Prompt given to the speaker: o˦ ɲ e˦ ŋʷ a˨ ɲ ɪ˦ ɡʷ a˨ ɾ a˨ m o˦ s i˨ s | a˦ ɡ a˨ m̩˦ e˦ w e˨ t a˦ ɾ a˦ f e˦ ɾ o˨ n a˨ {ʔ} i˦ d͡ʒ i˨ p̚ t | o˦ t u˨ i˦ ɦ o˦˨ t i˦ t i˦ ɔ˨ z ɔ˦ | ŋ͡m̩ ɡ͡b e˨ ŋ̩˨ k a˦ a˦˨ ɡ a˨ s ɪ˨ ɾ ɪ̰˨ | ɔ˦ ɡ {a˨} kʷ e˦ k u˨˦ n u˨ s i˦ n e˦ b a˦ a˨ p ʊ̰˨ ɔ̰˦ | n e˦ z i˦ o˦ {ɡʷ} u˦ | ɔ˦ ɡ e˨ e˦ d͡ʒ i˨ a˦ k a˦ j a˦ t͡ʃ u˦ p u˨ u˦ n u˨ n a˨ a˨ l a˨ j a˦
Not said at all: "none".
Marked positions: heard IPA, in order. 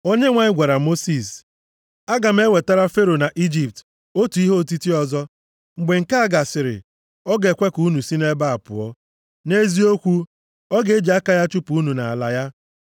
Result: ʔ, e˨, kʷ

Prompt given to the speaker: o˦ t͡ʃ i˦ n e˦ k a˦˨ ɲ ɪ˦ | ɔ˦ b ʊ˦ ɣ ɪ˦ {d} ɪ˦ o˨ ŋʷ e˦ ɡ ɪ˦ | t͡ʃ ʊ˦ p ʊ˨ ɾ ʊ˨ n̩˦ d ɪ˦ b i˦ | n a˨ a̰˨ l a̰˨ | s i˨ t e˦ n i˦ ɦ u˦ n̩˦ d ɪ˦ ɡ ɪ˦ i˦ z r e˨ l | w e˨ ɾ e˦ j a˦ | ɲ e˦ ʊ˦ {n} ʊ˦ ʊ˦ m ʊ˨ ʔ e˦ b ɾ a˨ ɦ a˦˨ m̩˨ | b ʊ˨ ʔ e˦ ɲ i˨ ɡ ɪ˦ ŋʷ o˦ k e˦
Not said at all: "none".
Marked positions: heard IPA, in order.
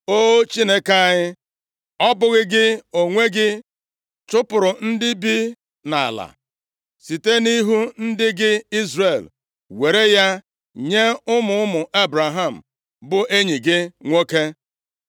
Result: ɡ, m

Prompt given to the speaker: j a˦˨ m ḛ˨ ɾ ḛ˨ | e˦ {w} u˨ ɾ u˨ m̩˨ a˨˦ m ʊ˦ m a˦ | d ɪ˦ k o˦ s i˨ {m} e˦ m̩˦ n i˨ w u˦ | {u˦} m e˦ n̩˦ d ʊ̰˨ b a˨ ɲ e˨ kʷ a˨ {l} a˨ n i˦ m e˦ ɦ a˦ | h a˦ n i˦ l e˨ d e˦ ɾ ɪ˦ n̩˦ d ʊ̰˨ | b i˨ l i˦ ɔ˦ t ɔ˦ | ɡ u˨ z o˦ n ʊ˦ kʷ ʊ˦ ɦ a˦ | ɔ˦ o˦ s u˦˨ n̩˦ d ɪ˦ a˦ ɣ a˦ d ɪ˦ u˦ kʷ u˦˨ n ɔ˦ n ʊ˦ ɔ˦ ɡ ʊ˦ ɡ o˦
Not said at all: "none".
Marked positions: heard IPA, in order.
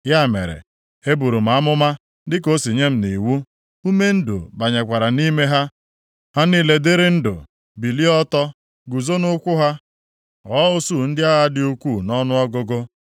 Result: b, ɲ, u˦, ɾ

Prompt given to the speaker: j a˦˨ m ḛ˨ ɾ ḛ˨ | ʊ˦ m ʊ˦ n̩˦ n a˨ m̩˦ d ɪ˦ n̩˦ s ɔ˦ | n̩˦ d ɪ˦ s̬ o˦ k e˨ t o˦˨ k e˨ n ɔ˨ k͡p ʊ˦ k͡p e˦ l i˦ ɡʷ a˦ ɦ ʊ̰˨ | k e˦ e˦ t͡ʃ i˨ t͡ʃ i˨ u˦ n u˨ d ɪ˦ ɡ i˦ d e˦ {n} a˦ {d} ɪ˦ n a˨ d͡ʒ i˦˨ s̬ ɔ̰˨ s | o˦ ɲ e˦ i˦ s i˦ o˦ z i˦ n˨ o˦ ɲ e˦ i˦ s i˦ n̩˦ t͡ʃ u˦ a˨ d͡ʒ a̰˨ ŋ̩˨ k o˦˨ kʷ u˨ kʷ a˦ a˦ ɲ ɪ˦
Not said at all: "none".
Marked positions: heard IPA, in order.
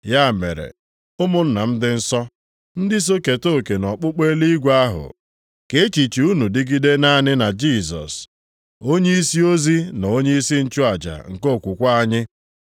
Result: n, n

